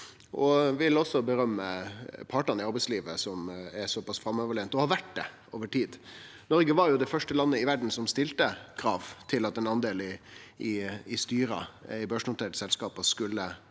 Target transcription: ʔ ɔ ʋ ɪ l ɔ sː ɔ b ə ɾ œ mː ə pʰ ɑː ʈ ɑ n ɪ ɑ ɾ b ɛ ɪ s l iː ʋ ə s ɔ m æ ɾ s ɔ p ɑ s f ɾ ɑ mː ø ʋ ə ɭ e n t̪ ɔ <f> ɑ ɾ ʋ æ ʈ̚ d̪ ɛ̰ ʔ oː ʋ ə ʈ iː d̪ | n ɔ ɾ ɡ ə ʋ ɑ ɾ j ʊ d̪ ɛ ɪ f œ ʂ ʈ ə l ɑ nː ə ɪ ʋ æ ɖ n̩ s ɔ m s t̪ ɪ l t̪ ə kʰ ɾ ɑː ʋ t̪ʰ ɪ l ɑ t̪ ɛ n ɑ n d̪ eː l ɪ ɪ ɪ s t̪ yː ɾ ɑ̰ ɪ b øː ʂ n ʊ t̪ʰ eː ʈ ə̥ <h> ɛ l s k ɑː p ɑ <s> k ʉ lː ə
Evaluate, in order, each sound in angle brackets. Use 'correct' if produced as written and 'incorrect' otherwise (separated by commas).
incorrect, incorrect, correct